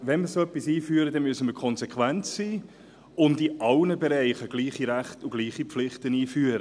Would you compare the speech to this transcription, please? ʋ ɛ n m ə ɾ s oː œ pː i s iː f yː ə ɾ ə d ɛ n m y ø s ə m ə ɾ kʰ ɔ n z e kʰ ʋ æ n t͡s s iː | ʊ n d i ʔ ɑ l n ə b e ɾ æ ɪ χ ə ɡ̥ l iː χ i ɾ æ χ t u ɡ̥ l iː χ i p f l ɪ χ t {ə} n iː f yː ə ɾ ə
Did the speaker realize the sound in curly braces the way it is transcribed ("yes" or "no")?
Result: yes